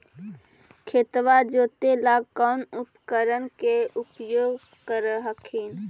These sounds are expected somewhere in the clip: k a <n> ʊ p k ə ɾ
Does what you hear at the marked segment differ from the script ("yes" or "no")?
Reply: no